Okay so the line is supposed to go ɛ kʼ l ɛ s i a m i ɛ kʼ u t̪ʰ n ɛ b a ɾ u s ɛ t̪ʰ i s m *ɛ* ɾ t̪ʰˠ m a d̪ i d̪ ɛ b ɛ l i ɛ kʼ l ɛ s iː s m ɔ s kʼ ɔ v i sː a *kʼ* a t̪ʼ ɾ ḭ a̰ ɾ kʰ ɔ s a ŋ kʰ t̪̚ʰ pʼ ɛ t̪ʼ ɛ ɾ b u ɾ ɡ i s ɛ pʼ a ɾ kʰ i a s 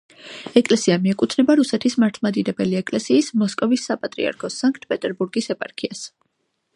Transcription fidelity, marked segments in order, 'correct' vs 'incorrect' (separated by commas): incorrect, incorrect